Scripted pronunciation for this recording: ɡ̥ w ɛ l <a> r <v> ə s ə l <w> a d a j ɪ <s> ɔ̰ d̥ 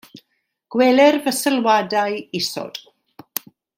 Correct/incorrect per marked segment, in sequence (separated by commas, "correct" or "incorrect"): incorrect, correct, correct, correct